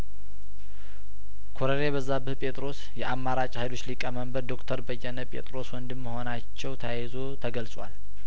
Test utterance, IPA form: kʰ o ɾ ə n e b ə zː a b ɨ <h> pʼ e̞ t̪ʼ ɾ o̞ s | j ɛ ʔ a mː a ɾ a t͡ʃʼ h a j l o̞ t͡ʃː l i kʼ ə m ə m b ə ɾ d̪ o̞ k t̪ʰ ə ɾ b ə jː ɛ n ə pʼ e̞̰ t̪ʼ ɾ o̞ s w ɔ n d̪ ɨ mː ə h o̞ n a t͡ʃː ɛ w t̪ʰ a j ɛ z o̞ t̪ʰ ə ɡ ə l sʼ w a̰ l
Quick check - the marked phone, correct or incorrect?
correct